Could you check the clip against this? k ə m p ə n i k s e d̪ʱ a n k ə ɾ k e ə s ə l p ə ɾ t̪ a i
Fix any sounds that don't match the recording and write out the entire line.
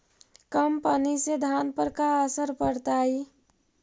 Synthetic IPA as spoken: k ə m p ə n i s e d̪ʱ a n p ə ɾ k a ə s ə ɾ p ə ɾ t̪ a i